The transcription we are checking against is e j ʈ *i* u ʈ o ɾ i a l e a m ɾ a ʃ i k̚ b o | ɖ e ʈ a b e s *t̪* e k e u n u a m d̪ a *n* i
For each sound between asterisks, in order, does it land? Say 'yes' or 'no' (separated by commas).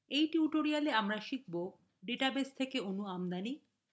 yes, no, yes